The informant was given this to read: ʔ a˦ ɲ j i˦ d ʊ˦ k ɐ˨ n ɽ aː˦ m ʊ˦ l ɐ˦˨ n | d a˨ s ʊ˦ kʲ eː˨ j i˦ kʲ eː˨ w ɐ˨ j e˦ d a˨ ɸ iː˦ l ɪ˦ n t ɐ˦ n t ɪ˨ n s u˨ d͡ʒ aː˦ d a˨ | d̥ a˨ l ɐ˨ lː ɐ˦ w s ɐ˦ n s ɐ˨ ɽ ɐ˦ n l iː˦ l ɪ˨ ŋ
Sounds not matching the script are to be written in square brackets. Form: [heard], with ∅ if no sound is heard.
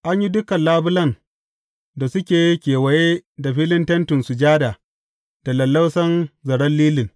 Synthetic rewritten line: ʔ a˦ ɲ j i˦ d ʊ˦ k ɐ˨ n [l] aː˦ [b] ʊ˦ l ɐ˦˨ n | d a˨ s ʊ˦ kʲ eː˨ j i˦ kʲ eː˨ w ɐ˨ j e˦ d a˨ ɸ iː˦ l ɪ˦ n t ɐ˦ n t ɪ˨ n s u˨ d͡ʒ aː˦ d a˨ | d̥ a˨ l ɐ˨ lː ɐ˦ w s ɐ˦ n [z] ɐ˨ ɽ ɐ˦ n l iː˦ l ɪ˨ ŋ